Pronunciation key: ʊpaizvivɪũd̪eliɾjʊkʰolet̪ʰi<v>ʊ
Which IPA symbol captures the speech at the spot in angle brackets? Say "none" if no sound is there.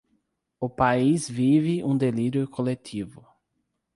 v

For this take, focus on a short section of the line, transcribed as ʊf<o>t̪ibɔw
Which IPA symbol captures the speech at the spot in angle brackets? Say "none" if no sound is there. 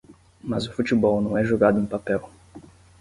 u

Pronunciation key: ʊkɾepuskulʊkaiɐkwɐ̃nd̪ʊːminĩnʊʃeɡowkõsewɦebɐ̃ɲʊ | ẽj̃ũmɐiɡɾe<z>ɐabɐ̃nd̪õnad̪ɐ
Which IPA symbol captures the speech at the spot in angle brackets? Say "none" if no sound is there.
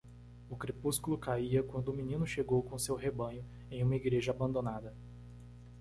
ʒ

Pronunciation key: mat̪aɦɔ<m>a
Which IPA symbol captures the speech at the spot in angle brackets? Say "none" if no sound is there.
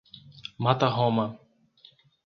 m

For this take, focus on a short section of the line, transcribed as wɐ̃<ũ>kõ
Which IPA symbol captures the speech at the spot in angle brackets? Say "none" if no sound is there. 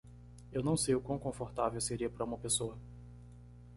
w̃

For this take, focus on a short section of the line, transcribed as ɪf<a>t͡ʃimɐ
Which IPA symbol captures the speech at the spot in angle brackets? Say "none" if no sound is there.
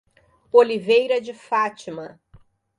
a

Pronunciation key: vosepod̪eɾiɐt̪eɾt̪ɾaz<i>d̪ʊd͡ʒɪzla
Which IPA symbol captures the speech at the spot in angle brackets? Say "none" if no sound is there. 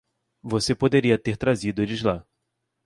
i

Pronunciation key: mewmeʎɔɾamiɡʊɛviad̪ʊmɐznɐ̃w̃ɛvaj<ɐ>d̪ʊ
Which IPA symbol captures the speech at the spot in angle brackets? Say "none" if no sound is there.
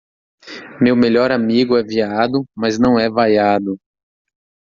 a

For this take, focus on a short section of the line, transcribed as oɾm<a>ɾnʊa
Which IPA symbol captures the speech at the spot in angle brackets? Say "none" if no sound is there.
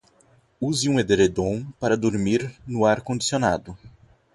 i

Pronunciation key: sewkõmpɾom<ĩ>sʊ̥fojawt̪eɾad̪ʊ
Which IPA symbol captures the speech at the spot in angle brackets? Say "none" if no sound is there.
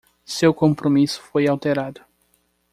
i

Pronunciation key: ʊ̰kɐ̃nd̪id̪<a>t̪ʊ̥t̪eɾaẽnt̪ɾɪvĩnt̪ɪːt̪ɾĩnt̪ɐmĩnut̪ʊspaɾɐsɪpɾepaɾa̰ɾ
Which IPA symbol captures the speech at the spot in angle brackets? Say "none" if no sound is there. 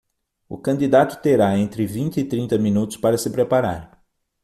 a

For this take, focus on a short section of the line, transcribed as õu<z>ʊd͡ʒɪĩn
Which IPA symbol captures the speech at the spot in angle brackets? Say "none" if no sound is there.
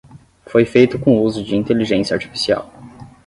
z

